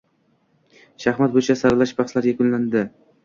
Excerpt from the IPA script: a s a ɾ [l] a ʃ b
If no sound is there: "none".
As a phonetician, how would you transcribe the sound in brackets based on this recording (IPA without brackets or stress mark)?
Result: l